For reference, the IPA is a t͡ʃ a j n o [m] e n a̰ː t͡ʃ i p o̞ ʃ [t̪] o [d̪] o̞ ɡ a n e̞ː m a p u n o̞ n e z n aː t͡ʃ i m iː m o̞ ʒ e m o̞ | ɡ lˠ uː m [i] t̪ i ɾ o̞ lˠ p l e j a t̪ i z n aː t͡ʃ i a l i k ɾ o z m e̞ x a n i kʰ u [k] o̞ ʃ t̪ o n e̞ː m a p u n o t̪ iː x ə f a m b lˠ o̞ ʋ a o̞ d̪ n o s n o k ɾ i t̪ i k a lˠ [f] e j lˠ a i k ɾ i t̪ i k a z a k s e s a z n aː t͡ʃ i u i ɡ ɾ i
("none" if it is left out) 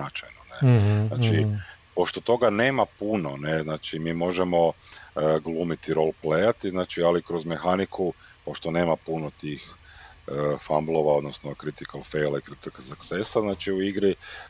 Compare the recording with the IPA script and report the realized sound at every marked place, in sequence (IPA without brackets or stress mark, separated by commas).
n, t̪, t̪, i, p, f